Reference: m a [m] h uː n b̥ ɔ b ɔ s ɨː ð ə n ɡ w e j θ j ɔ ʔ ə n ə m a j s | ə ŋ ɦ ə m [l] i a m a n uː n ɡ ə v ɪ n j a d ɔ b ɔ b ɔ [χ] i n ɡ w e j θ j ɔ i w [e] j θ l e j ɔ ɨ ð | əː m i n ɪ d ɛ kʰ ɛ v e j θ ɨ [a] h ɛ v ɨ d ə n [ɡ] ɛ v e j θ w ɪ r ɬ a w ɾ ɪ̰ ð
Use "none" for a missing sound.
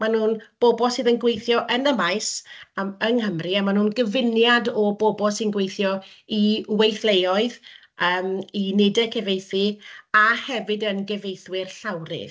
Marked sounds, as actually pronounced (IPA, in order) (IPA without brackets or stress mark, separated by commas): n, r, s, e, a, ɡ